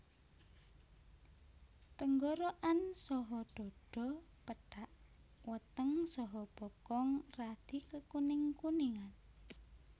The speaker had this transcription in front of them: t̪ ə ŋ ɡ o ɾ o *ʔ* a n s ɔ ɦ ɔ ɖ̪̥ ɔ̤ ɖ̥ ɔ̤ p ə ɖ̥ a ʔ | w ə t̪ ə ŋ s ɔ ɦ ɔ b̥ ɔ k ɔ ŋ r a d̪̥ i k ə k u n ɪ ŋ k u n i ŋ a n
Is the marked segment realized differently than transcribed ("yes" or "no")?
no